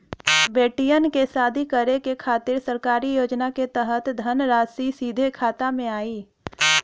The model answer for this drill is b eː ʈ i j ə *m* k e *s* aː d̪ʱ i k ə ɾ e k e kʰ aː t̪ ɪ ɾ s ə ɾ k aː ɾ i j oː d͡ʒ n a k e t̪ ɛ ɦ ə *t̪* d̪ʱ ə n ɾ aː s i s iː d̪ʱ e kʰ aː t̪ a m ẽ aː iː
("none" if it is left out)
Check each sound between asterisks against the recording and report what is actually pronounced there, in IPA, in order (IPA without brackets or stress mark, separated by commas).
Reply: n, s, t̪